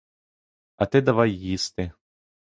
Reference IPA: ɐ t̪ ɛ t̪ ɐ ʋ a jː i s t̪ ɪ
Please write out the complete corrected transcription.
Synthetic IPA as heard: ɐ t̪ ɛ d̪ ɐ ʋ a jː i s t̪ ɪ

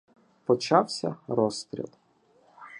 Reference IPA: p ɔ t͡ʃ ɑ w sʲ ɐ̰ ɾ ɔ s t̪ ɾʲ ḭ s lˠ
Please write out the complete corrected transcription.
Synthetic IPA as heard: p ɔ t͡ʃ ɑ w sʲ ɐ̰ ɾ ɔ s t̪ ɾʲ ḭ lˠ

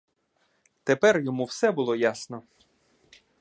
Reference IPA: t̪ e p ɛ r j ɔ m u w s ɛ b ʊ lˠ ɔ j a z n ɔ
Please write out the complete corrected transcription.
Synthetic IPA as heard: t̪ e p ɛ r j ɔ m u w s ɛ b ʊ lˠ ɔ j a s n ɔ

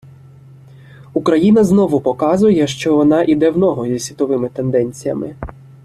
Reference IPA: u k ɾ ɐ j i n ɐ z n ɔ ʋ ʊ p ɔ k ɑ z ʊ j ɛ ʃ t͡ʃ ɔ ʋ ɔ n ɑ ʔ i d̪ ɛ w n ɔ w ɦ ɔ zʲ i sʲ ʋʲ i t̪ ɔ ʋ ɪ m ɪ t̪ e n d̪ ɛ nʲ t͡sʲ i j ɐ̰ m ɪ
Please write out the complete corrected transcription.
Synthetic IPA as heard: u k ɾ ɐ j i n ɐ z n ɔ ʋ ʊ p ɔ k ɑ z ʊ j ɛ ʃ t͡ʃ ɔ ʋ ɔ n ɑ ʔ i d̪ ɛ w n ɔ ɦ ɔ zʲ i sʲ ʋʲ i t̪ ɔ ʋ ɪ m ɪ t̪ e n d̪ ɛ nʲ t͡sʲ i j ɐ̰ m ɪ

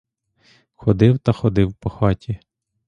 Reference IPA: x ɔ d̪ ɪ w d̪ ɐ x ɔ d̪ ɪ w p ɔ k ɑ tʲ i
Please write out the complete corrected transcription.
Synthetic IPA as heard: x ɔ d̪ ɪ w t̪ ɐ x ɔ d̪ ɪ w p ɔ x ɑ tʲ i

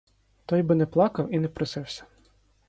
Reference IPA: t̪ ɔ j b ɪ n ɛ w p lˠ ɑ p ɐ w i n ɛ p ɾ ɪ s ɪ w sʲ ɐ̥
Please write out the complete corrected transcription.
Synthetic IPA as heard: t̪ ɔ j b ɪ n ɛ p lˠ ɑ k ɐ w i n ɛ p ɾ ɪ s ɪ w sʲ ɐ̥

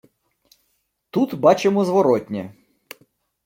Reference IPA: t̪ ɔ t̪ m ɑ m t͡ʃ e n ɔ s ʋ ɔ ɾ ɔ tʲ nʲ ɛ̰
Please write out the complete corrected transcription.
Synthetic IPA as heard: t̪ u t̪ b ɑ t͡ʃ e m ɔ z ʋ ɔ ɾ ɔ tʲ nʲ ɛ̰

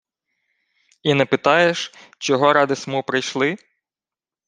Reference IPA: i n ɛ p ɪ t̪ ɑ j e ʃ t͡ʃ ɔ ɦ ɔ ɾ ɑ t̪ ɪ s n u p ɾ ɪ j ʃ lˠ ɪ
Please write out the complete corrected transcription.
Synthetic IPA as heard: i n ɛ p ɪ t̪ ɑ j e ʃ t͡ʃ ɔ ɦ ɔ ɾ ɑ d̪ ɪ s m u p ɾ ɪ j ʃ lˠ ɪ

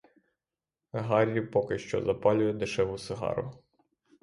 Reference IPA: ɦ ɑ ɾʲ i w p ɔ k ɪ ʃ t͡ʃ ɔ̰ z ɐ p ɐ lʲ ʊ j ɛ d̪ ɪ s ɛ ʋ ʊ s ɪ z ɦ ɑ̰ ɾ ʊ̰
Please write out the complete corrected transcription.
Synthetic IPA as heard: ɦ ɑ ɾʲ i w p ɔ k ɪ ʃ t͡ʃ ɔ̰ z ɐ p ɑ lʲ ʊ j ɛ d̪ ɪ ʃ ɛ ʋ ʊ s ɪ ɦ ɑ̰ ɾ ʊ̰

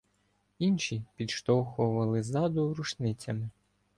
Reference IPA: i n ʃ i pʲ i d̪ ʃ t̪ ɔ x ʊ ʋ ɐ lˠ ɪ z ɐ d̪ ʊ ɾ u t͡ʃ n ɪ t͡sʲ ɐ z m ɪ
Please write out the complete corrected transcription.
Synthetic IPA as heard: i n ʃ i pʲ i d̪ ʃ t̪ ɔ x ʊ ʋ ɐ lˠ ɪ z ɑ d̪ ʊ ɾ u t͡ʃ n ɪ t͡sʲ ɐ m ɪ

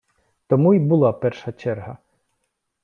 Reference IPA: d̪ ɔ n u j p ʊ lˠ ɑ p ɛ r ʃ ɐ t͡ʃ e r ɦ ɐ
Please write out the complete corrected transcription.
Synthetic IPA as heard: t̪ ɔ m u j b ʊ lˠ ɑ p ɛ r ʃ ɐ t͡ʃ ɛ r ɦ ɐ

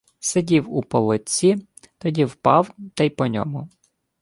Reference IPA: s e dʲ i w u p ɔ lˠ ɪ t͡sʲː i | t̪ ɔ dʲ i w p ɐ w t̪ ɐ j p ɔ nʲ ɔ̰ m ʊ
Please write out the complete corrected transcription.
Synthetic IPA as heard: s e dʲ i w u p ɔ lˠ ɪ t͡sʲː i | t̪ ɔ dʲ i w p ɑ w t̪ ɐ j p ɔ nʲ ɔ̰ m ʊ

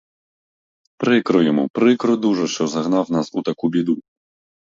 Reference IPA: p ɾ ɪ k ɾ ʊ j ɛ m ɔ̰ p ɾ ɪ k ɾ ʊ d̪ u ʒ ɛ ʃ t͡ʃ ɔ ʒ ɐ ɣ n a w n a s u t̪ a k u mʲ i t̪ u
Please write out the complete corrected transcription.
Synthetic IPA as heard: p ɾ ɪ k ɾ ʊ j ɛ m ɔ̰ p ɾ ɪ k ɾ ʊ d̪ u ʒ ɛ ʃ t͡ʃ ɔ z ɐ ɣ n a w n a s u t̪ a k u bʲ i d̪ u

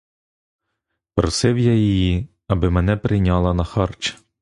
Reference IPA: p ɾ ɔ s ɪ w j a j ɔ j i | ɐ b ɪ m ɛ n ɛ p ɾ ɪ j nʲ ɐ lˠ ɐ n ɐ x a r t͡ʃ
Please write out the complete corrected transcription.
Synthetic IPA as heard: p ɾ ɔ s ɪ w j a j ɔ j i | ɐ b ɪ m ɛ n ɛ p ɾ ɪ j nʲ ɑ lˠ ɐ n ɐ x ɑ r t͡ʃ

